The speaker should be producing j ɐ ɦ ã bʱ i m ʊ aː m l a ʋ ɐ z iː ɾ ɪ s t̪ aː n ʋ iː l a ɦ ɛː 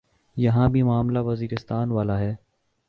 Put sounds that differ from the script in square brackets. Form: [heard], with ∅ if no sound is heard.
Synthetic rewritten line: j ɐ ɦ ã bʱ i m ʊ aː m l a ʋ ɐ z iː ɾ ɪ s t̪ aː n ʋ [aː] l a ɦ ɛː